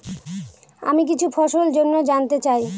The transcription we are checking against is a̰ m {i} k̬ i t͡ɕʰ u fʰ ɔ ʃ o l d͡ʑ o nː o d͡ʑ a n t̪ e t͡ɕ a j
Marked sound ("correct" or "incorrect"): correct